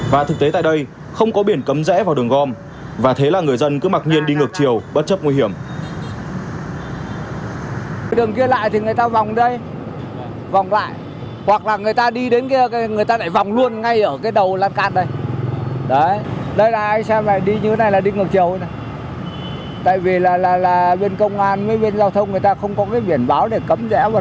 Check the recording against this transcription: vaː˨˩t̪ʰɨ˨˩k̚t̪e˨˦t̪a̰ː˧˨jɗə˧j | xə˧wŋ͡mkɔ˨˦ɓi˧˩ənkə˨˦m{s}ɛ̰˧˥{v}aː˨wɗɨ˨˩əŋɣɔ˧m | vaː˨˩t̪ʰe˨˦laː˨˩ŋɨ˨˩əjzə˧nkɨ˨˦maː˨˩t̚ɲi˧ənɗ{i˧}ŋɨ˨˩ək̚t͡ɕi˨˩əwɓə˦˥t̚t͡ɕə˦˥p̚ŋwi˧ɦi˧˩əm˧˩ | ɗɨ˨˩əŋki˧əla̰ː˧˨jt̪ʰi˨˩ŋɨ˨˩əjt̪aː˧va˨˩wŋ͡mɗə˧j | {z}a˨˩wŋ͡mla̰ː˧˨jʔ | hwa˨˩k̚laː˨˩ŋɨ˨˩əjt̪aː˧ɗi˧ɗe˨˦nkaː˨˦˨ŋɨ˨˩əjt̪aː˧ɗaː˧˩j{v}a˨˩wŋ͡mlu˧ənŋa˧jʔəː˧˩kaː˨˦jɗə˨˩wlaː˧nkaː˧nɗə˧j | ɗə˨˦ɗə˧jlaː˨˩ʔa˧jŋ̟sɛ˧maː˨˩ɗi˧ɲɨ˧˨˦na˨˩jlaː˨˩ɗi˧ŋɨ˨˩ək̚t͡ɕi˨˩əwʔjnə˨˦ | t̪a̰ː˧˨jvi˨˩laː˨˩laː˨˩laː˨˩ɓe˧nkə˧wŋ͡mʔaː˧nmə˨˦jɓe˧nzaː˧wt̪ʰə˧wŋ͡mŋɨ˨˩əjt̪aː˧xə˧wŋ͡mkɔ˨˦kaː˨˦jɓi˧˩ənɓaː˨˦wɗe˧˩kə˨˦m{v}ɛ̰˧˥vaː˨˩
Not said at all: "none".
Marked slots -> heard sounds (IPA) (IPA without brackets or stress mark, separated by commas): z, v, i˧, v, v, z